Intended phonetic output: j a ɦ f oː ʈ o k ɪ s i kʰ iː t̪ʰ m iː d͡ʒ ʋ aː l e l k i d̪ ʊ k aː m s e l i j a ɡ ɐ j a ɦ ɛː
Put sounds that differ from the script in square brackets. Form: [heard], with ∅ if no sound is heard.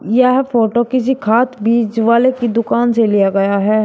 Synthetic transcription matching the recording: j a ɦ f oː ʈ o k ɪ s i kʰ [aː] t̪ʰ [b] iː d͡ʒ ʋ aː l e [∅] k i d̪ ʊ k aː [n] s e l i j a ɡ ɐ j a ɦ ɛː